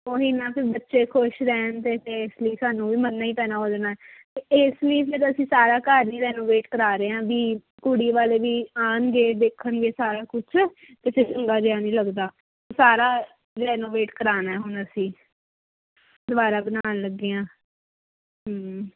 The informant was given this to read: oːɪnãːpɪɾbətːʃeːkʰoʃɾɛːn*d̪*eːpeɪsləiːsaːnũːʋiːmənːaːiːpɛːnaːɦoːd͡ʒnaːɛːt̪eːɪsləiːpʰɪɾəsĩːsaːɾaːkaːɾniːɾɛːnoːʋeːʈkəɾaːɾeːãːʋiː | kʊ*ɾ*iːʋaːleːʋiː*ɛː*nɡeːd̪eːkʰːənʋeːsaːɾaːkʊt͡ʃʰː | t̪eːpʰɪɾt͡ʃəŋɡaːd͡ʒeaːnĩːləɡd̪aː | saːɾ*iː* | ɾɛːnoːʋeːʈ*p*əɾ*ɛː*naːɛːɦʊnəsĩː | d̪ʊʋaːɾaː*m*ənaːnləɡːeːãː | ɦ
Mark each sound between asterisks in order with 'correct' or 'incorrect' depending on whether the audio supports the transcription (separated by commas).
incorrect, incorrect, incorrect, incorrect, incorrect, incorrect, incorrect